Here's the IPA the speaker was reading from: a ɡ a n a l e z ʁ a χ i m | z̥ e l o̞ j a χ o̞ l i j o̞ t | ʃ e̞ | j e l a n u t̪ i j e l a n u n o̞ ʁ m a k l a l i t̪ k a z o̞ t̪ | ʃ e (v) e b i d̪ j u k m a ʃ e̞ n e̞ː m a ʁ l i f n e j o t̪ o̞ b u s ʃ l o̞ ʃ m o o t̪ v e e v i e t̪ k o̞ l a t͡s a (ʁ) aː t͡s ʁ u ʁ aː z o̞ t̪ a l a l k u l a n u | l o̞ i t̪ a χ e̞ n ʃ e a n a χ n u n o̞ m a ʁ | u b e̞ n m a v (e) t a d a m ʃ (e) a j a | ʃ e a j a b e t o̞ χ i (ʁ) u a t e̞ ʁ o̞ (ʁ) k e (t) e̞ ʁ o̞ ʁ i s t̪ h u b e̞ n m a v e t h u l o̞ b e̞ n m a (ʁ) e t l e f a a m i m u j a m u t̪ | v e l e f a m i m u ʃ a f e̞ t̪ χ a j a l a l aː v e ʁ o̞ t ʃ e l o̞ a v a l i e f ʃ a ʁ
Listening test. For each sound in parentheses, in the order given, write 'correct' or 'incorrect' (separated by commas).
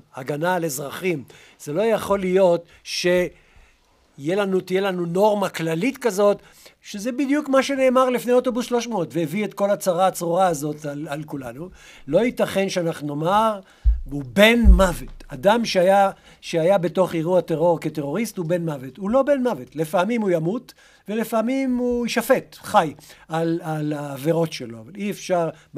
incorrect, correct, correct, correct, correct, correct, correct, incorrect